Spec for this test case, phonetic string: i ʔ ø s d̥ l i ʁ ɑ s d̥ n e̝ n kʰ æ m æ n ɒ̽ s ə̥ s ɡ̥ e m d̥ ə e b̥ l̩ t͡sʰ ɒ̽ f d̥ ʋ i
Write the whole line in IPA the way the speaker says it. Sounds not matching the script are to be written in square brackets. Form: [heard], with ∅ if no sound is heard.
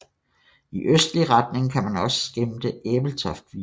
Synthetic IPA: i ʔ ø s d̥ l i ʁ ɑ [∅] d̥ n e̝ [ŋ] kʰ æ m æ n ɒ̽ s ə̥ s ɡ̥ e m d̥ ə e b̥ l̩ t͡sʰ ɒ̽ f d̥ ʋ i

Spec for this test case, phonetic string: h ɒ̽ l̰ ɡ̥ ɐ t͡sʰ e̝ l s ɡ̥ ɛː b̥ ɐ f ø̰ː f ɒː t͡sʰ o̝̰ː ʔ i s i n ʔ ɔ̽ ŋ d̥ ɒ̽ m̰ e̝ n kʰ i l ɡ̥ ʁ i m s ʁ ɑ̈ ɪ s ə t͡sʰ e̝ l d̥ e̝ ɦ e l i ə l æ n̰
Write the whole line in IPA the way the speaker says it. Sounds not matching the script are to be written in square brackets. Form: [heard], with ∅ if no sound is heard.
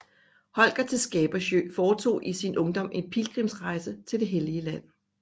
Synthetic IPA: h ɒ̽ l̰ ɡ̥ ɐ t͡sʰ e̝ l s ɡ̥ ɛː b̥ ɐ [ɕ] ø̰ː f ɒː t͡sʰ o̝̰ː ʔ i s i n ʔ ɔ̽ ŋ d̥ ɒ̽ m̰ e̝ n [pʰ] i l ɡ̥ ʁ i m s ʁ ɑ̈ ɪ s ə t͡sʰ e̝ l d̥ e̝ ɦ e l i ə l æ n̰

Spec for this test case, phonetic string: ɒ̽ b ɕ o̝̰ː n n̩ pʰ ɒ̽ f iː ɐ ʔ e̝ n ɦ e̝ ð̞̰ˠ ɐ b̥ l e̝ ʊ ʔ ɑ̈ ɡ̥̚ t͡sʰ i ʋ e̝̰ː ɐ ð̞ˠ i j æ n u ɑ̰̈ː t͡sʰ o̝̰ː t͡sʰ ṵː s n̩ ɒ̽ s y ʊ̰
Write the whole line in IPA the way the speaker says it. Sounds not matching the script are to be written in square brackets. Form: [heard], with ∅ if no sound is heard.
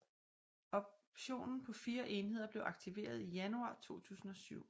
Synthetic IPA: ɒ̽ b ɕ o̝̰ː n n̩ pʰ ɒ̽ f iː ɐ ʔ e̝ n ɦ e̝ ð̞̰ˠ ɐ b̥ l e̝ ʊ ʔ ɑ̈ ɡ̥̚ t͡sʰ i ʋ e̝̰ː ɐ ð̞ˠ i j æ n u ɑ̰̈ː t͡sʰ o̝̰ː t͡sʰ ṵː s n̩ ɒ̽ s y ʊ̰

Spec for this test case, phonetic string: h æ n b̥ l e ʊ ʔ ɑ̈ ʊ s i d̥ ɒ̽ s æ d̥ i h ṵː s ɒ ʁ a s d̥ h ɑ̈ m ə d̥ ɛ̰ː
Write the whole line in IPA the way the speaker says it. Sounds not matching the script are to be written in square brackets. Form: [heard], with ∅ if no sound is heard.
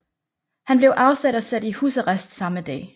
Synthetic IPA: h æ n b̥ l e ʊ ʔ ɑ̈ ʊ s [æ] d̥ ɒ̽ s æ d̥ i h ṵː s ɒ ʁ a s d̥ [s] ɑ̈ m ə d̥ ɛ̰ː

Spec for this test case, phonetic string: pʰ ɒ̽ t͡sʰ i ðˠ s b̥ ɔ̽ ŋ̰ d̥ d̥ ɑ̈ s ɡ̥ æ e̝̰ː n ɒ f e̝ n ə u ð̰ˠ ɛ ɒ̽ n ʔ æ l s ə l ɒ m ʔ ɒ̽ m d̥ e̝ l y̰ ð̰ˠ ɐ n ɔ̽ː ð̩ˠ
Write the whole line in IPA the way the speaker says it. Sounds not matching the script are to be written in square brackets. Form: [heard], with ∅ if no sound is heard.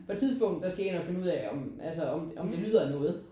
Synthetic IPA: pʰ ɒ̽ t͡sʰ i ðˠ s b̥ ɔ̽ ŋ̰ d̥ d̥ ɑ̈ s ɡ̥ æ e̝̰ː n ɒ f e̝ n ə u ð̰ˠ ɛ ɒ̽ [m] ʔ æ l s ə [∅] ɒ m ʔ ɒ̽ m d̥ e̝ l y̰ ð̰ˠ ɐ n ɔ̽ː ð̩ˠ

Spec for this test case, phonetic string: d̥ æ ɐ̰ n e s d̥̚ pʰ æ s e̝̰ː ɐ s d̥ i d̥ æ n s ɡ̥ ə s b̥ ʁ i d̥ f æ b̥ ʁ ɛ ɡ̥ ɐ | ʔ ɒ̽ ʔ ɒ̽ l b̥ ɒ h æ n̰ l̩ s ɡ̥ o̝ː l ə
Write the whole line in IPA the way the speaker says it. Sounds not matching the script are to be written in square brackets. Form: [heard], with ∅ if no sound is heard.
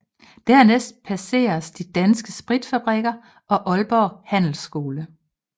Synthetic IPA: d̥ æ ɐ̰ n e s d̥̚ pʰ æ s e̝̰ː ɐ s d̥ i d̥ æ n s ɡ̥ ə s b̥ ʁ i d̥ f æ b̥ ʁ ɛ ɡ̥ ɐ | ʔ ɒ̽ ʔ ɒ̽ l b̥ ɒ h æ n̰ l̩ s ɡ̥ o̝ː l ə

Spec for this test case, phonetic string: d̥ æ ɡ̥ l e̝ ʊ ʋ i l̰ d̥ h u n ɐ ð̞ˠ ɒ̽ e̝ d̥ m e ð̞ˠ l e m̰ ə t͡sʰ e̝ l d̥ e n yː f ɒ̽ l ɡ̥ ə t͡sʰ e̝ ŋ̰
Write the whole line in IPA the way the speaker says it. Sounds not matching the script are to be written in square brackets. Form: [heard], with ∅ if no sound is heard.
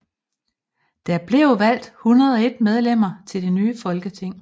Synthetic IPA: d̥ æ [b̥] l e̝ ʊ ʋ [æ] l̰ d̥ h u n ɐ ð̞ˠ ɒ̽ e̝ d̥ m e ð̞ˠ l e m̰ [ɐ] t͡sʰ e̝ l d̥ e n yː f ɒ̽ l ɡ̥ ə t͡sʰ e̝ ŋ̰

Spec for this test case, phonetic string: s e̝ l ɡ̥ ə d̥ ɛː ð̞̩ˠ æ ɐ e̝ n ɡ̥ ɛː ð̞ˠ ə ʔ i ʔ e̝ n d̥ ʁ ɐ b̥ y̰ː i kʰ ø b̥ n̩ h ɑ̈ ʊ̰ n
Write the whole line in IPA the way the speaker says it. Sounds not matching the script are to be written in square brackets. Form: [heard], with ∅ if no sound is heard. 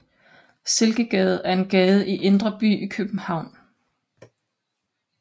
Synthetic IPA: s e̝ l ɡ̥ ə [ɡ̥] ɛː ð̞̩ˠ æ ɐ e̝ n ɡ̥ ɛː ð̞ˠ ə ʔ i ʔ e̝ n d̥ ʁ ɐ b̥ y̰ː i kʰ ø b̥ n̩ h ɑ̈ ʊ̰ n

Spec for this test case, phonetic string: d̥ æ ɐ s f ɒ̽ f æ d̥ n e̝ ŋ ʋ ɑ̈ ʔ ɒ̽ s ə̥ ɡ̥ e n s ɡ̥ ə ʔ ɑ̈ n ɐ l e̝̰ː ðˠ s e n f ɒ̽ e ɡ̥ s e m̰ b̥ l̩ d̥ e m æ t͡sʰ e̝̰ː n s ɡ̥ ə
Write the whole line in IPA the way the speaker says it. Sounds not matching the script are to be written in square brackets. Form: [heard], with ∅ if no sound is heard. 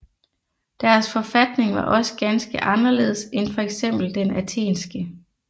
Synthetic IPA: d̥ æ ɐ s f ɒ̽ f æ d̥ n e̝ ŋ ʋ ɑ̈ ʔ ɒ̽ s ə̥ ɡ̥ [æ] n s ɡ̥ ə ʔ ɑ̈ n ɐ l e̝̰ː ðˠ s e n f ɒ̽ e ɡ̥ s e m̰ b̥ l̩ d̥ e [n] æ t͡sʰ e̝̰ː n s ɡ̥ ə

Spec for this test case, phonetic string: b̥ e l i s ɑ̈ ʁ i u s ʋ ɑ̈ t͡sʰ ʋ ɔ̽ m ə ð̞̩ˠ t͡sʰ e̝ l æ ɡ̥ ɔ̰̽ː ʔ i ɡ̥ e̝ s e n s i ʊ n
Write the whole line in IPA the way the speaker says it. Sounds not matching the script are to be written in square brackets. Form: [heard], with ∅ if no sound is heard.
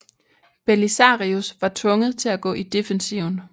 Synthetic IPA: b̥ e l i s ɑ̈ ʁ i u s ʋ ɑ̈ t͡sʰ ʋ ɔ̽ [ŋ] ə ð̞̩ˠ t͡sʰ e̝ l æ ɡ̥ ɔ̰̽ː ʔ i [d̥] e̝ [f] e n s i ʊ n

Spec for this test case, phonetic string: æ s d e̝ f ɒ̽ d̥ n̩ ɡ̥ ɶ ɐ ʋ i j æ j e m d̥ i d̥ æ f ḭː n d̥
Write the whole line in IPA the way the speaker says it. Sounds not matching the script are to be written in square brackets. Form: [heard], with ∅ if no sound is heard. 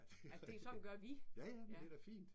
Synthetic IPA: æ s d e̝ [s] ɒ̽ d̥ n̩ ɡ̥ ɶ ɐ ʋ i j æ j [æ] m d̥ [e] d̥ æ f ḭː n d̥

